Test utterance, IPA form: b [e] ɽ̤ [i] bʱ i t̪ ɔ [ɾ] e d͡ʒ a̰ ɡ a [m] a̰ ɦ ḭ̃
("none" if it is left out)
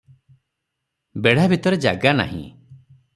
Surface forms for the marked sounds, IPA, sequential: e, a, ɾ, n

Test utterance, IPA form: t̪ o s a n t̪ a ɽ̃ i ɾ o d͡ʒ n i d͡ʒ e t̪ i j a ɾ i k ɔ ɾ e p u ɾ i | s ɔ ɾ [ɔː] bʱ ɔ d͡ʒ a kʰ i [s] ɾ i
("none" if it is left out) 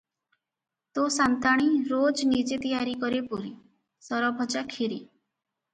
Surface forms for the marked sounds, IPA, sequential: ɔ, none

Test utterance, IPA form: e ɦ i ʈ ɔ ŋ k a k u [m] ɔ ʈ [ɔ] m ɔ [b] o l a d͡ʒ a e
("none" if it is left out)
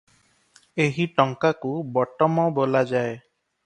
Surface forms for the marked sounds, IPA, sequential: b, ɔ, b

